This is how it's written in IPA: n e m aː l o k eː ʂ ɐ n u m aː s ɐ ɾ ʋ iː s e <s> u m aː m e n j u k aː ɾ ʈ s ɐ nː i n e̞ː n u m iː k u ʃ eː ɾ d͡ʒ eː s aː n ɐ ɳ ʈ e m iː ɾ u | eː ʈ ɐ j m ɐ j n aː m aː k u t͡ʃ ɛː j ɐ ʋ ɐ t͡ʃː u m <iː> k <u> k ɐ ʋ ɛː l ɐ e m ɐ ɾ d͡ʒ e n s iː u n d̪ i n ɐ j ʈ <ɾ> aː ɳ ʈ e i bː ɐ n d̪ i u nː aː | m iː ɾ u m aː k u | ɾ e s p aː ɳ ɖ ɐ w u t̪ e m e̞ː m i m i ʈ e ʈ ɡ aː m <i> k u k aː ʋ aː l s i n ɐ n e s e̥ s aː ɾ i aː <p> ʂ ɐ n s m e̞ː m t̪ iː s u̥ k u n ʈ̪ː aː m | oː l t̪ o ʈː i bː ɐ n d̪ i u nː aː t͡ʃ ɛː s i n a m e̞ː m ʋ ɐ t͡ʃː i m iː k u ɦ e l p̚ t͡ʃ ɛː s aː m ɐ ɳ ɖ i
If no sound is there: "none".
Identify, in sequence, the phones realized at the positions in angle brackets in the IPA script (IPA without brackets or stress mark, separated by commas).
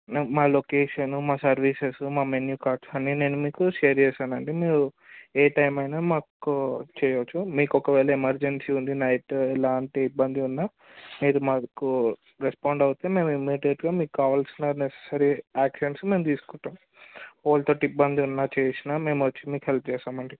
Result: s, iː, ɔ, l, iː, k